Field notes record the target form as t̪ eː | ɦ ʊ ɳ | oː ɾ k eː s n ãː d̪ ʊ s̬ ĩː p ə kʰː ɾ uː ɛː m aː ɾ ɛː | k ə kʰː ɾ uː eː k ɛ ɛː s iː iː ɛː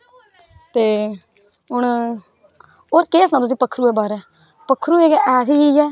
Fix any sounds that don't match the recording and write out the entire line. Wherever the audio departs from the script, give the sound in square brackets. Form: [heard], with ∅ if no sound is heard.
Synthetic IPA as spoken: t̪ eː | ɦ ʊ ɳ | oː ɾ k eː s n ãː [t̪] ʊ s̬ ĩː p ə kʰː ɾ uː ɛː [b] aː ɾ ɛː | [p] ə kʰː ɾ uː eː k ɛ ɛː s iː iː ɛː